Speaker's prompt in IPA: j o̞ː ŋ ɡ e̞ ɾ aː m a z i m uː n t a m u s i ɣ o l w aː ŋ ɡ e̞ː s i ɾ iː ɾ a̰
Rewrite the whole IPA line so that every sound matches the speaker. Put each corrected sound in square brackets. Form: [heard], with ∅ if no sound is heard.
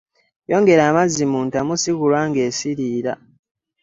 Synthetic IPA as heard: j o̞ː ŋ ɡ e̞ ɾ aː m a z i m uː n t a m u s i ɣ [u] l w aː ŋ ɡ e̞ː s i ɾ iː ɾ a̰